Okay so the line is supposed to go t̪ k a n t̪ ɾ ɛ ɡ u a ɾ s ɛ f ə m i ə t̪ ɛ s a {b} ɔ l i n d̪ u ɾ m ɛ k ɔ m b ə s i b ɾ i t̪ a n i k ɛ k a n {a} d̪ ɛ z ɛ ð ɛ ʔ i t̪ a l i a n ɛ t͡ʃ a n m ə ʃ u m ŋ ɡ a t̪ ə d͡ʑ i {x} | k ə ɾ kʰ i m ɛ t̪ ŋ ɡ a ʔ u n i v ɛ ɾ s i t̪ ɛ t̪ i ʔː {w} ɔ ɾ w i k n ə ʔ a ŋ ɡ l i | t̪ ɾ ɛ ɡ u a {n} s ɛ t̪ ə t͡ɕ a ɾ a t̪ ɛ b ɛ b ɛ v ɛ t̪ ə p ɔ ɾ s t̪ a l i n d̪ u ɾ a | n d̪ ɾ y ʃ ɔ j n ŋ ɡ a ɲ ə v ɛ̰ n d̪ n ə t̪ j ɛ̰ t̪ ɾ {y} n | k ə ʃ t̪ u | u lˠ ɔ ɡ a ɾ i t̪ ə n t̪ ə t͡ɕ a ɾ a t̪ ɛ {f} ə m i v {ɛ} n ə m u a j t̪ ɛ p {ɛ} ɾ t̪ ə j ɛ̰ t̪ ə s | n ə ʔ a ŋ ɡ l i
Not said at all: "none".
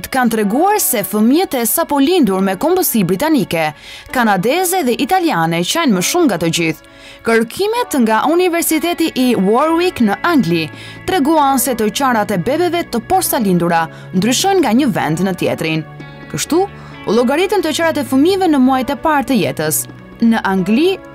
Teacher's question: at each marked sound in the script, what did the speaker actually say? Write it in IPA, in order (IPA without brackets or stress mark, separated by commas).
p, a, θ, w, n, i, f, ɛ, a